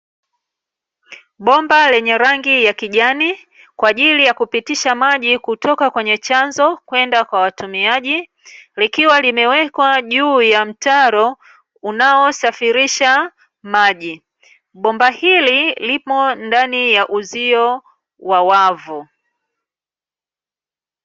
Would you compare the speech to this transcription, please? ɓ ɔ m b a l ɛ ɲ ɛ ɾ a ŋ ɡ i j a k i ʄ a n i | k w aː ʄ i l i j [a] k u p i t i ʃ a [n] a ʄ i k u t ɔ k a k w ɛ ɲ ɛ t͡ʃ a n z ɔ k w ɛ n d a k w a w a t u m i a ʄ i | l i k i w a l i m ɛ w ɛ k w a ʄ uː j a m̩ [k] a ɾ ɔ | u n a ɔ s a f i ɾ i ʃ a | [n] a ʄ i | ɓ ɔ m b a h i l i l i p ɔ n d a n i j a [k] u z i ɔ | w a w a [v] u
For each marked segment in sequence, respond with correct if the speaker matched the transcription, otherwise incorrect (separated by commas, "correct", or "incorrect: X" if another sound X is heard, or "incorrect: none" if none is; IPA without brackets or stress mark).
correct, incorrect: m, incorrect: t, incorrect: m, incorrect: ʔ, correct